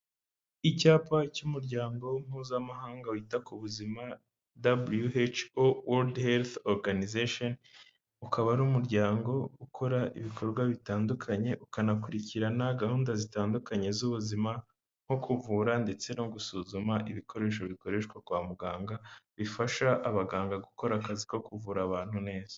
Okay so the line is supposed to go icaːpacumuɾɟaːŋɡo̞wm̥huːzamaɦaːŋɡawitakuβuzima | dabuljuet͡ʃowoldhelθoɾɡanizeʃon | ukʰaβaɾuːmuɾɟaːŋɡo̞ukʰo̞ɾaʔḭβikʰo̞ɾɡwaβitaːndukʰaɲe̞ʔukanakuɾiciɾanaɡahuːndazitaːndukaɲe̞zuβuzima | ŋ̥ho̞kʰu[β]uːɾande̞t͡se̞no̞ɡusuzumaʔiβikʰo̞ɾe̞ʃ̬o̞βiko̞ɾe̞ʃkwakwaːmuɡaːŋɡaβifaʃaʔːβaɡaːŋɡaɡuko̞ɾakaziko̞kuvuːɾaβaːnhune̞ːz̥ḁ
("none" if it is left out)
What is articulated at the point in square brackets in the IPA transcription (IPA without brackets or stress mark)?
v